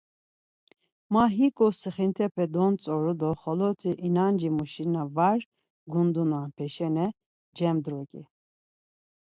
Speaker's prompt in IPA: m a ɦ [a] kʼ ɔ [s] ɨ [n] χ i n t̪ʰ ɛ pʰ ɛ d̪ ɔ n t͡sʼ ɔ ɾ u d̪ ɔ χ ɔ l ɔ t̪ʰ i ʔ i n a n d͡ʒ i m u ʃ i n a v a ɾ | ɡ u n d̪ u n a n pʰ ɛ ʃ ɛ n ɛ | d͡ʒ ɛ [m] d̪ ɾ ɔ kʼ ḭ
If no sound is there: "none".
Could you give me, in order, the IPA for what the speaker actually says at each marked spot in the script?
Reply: i, s, none, m

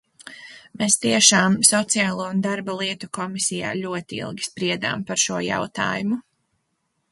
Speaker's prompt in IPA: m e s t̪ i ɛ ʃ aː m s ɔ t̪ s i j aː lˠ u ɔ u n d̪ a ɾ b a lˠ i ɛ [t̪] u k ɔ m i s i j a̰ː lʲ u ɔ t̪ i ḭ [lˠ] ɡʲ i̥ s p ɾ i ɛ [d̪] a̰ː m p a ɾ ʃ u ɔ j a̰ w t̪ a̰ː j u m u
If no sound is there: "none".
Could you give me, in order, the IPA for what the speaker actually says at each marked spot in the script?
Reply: t̪, lˠ, d̪

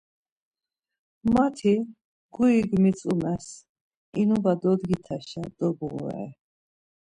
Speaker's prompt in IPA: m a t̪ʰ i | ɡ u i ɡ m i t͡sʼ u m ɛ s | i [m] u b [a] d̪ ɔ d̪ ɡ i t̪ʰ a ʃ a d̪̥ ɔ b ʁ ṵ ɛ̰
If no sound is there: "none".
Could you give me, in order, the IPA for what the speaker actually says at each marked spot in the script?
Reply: n, a

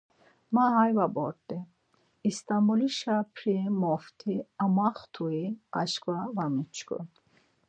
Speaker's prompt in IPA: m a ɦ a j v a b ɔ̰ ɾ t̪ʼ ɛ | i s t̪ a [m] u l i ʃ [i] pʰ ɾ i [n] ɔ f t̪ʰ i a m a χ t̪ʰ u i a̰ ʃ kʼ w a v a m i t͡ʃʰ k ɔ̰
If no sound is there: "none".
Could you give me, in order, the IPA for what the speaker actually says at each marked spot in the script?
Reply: m, a, m

